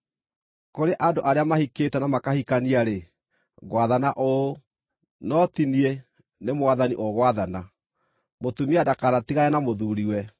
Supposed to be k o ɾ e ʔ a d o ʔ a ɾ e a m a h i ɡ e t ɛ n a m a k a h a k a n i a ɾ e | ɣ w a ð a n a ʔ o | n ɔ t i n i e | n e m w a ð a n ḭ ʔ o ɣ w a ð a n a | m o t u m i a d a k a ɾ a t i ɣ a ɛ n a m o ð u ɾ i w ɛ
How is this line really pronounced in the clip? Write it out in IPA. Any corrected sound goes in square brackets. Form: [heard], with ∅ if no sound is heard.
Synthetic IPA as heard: k o ɾ e ʔ a d o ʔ a ɾ e a m a h i [k] e t ɛ n a m a k a h [i] k a n i a ɾ e | ɣ w a ð a n a ʔ o | n ɔ t i n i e | n e m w a ð a n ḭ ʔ o ɣ w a ð a n a | m o t u m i a d a k a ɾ a t i ɣ a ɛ n a m o ð u ɾ i w ɛ

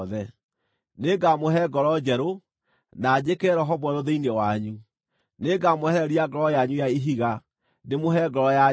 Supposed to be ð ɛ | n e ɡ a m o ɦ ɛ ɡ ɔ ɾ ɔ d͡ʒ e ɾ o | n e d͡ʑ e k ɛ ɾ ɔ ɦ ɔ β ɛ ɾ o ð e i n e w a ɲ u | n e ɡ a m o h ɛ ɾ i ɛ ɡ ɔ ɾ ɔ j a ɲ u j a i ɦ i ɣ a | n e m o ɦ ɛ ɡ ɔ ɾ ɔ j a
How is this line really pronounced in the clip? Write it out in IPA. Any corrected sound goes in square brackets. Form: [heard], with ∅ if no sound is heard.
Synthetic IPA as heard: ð ɛ | n e ɡ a m o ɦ ɛ ɡ ɔ ɾ ɔ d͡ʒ [ɛ] ɾ o | n [a] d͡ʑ e k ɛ ɾ ɔ ɦ ɔ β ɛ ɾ o ð e i n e w a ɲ u | n e ɡ a m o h ɛ ɾ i [a] ɡ ɔ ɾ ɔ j a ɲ u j a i ɦ i ɣ a | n e m o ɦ ɛ ɡ ɔ ɾ ɔ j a

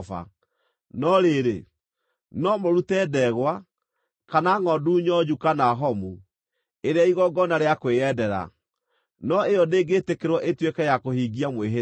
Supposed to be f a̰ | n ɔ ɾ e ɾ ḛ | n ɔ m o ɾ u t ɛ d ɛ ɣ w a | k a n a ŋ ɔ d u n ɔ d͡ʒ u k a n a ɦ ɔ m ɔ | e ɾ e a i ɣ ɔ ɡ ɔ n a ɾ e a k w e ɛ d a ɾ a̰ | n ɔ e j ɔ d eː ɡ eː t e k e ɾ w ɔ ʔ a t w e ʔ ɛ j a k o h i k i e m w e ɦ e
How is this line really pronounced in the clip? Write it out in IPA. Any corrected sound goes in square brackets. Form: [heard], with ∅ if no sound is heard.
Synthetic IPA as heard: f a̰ | n ɔ ɾ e ɾ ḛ | n ɔ m o ɾ u t ɛ d ɛ ɣ w a | k a n a ŋ ɔ d u [ɲ] ɔ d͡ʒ u k a n a ɦ ɔ m [u] | e ɾ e a i ɣ ɔ ɡ ɔ n a ɾ e a k w e ɛ d [ɛ] ɾ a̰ | n ɔ e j ɔ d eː ɡ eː t e k e ɾ w ɔ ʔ [e] t w e [k] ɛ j a k o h i [ɡ] i [a] m w e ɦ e

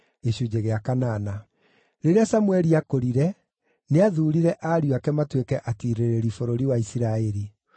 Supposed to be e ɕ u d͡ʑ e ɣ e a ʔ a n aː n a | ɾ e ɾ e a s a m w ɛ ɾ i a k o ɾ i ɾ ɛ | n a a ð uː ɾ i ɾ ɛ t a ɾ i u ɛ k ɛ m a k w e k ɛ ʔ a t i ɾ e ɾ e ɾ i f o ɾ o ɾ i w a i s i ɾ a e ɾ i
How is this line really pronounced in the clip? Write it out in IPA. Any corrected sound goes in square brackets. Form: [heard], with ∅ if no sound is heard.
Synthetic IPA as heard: e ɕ u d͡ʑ e ɣ e a [k] a n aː n a | ɾ e ɾ e a s a m w ɛ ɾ i a k o ɾ i ɾ ɛ | n [e] a ð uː ɾ i ɾ ɛ [ʔ] a ɾ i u [a] k ɛ m a [t] w e k ɛ ʔ a t i ɾ e ɾ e ɾ i f o ɾ o ɾ i w a i s i ɾ a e ɾ i

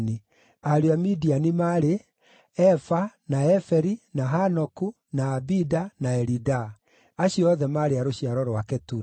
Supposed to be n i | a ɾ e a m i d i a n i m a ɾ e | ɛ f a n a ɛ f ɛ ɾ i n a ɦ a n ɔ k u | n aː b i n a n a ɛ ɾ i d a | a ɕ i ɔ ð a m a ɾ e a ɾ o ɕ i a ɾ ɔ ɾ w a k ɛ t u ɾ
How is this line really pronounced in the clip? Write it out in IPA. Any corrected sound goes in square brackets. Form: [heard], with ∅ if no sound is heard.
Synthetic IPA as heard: n i | a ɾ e a m i d i a n i m a ɾ e | ɛ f a n a ɛ f ɛ ɾ i n a ɦ a n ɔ k u | n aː b i [d] a n a ɛ ɾ i d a | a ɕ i ɔ ð [ɛ] m a ɾ e a ɾ o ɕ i a ɾ ɔ ɾ w a k ɛ t u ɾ

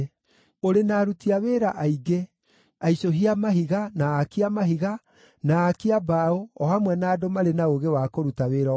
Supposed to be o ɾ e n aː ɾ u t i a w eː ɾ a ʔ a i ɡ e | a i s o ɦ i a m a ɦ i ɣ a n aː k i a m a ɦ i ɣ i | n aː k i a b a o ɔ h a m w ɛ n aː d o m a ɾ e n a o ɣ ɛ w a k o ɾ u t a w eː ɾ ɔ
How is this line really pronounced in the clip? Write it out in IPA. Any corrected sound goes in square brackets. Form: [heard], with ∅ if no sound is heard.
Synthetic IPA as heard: o ɾ e n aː ɾ u t i a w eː ɾ a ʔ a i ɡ e | a i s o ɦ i a m a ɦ i ɣ a n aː k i a m a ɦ i ɣ [a] | n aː k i a b a o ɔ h a m w ɛ n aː d o m a ɾ e n a o ɣ [e] w a k o ɾ u t a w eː ɾ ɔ

